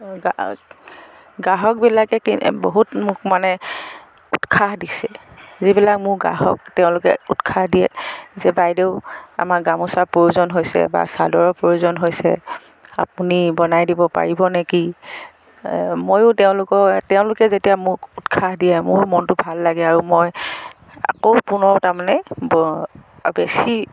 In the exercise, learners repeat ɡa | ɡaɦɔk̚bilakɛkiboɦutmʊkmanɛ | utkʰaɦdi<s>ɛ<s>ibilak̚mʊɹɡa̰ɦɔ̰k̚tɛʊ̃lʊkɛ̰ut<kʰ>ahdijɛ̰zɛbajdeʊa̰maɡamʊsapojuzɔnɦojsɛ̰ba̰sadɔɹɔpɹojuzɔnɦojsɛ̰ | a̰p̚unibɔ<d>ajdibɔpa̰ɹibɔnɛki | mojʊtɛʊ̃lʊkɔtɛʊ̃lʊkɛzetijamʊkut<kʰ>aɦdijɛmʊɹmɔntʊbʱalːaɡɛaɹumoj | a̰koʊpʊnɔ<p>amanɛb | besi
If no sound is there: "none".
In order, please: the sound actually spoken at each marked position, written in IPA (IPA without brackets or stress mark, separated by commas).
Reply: s, z, kʰ, n, kʰ, t